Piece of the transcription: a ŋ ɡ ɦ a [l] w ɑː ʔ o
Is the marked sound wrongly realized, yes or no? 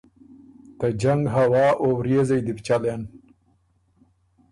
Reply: yes